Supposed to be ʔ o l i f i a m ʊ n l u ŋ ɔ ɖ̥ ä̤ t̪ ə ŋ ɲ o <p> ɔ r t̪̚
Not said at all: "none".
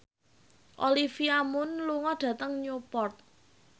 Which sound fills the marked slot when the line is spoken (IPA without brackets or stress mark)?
p